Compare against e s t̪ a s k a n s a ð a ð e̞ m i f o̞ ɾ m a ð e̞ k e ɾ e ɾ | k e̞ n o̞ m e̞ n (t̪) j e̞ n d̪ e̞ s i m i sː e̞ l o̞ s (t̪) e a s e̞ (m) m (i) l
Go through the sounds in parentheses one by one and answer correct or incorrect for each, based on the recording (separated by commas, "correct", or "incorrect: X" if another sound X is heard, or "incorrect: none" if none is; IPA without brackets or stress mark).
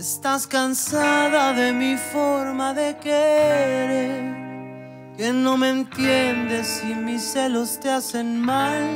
correct, correct, incorrect: n, incorrect: a